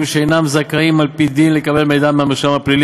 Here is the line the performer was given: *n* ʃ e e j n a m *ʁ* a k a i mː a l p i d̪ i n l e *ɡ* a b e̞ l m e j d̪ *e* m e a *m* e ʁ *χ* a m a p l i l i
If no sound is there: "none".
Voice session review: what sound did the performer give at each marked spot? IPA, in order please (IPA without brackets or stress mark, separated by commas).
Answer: m, z, k, a, m, ʃ